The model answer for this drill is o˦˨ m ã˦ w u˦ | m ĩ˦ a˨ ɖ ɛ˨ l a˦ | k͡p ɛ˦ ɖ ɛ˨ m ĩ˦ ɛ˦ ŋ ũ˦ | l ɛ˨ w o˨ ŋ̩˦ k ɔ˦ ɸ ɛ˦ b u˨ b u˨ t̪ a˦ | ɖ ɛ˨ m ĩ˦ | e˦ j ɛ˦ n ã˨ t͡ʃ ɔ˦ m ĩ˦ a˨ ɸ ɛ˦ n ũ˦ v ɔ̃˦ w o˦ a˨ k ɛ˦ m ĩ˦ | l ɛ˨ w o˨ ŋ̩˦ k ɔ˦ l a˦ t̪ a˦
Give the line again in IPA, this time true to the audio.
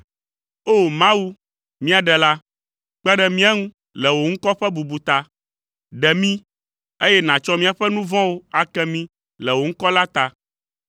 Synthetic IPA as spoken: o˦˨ m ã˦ w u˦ | m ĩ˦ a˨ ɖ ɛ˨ l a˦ | k͡p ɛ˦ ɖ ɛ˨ m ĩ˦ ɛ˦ ŋ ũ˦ | l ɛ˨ w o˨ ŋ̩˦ k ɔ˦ ɸ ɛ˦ b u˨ b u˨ t̪ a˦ | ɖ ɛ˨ m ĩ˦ | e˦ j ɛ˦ n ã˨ t͡ʃ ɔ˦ m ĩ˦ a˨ ɸ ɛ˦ n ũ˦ v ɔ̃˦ w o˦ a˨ k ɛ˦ m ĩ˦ | l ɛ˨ w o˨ ŋ̩˦ k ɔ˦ l a˦ t̪ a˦